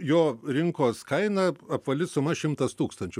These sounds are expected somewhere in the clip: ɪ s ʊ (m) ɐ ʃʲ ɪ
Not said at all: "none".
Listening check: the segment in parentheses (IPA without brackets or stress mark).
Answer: m